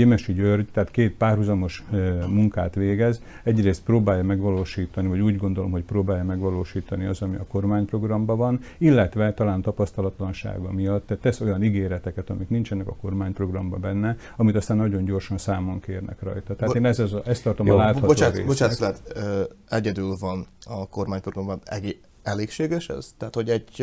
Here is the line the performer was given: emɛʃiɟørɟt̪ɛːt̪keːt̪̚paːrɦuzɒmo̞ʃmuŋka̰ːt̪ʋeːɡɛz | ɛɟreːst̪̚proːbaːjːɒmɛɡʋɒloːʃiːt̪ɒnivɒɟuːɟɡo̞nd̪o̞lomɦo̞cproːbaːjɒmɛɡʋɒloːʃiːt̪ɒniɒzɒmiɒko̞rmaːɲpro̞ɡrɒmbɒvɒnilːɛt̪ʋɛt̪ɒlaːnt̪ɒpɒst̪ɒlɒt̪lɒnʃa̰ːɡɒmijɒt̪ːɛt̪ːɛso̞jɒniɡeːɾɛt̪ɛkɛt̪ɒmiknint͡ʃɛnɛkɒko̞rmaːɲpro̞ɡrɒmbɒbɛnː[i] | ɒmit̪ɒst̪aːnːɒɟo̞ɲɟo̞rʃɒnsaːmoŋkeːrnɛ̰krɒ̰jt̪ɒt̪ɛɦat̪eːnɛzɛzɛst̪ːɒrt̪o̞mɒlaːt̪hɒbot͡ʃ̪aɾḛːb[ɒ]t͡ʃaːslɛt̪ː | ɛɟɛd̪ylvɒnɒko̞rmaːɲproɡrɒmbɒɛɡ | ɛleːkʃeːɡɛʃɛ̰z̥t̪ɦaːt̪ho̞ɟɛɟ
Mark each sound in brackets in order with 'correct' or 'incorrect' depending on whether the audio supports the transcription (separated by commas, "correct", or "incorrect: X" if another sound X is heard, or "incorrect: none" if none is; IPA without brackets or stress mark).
incorrect: ɛ, incorrect: o